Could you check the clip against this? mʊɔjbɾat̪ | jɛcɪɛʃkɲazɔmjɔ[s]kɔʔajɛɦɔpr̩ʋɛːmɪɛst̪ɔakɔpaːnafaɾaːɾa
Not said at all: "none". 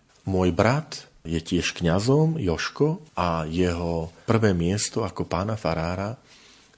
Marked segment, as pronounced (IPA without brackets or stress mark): ʃ